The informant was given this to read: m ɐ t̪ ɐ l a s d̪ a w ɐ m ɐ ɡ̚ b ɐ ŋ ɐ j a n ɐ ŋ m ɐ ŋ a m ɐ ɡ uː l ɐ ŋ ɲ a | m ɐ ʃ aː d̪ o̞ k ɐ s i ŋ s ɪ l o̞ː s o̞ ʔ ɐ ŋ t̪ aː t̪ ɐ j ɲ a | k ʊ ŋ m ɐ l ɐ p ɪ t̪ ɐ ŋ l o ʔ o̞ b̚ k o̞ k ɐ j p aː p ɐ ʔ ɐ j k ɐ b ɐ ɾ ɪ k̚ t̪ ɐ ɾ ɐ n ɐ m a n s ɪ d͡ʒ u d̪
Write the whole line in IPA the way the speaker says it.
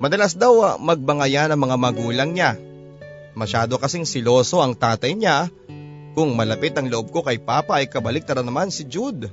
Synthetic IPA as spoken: m ɐ d̪ ɐ l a s d̪ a w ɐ m ɐ ɡ̚ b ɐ ŋ ɐ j a n ɐ ŋ m ɐ ŋ a m ɐ ɡ uː l ɐ ŋ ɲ a | m ɐ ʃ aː d̪ o̞ k ɐ s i ŋ s ɪ l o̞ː s o̞ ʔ ɐ ŋ t̪ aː t̪ ɐ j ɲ a | k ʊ ŋ m ɐ l ɐ p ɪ t̪ ɐ ŋ l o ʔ o̞ b̚ k o̞ k ɐ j p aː p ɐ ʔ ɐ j k ɐ b ɐ l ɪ k̚ t̪ ɐ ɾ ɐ n ɐ m a n s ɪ d͡ʒ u d̪